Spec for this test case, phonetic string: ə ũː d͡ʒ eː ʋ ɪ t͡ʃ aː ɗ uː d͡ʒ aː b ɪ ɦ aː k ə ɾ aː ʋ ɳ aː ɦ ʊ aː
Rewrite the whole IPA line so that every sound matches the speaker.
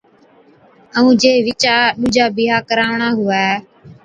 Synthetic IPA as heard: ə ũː d͡ʒ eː ʋ ɪ t͡ʃ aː ɗ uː d͡ʒ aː b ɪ ɦ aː k ə ɾ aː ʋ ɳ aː ɦ ʊ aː